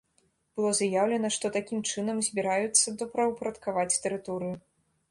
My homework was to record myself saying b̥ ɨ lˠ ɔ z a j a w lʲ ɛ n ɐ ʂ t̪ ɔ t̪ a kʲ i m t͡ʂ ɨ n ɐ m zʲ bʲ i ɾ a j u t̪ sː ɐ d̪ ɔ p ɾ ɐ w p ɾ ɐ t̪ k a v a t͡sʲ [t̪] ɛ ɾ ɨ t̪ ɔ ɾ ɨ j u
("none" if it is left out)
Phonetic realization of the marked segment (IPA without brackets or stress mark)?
t̪